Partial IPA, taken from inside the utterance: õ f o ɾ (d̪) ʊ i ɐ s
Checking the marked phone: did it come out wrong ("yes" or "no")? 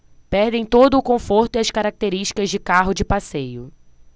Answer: yes